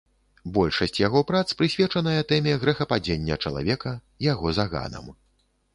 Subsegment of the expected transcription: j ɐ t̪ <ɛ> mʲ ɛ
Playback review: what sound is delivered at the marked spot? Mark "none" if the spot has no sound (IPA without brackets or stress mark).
ɛ